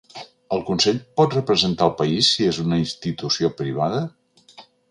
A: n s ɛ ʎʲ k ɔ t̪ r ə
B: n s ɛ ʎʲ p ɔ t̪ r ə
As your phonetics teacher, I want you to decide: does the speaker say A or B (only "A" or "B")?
B